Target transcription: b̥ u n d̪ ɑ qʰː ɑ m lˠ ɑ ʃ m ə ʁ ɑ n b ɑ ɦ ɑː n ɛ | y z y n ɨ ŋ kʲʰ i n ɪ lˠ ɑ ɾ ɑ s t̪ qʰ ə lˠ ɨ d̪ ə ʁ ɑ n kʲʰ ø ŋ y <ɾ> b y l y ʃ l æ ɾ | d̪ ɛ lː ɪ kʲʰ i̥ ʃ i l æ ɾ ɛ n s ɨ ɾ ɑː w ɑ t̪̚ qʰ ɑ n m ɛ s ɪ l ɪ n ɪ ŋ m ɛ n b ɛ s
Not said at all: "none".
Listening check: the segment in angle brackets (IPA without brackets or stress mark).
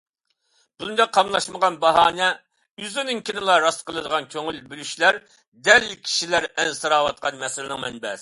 l